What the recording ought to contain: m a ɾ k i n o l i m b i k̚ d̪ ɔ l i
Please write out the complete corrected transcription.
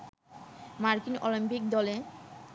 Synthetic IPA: m a ɾ k i n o l i m p i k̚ d̪ ɔ l e